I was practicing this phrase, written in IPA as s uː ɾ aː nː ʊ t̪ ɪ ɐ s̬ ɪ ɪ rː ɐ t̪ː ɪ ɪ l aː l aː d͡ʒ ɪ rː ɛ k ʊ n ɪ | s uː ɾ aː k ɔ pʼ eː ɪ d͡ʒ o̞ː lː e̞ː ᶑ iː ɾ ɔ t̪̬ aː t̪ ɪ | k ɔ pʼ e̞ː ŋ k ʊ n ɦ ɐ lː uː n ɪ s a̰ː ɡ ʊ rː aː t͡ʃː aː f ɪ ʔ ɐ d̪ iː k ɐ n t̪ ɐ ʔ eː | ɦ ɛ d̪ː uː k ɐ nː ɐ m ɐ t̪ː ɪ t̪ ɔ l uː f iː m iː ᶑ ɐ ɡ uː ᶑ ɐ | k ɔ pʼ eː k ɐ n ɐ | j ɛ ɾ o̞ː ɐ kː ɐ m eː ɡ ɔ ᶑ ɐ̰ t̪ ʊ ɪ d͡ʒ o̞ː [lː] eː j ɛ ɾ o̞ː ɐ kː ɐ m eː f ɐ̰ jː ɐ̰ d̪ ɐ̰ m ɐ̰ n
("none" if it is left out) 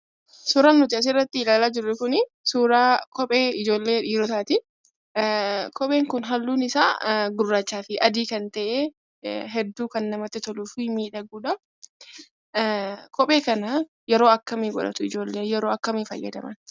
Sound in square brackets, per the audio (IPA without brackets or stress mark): lː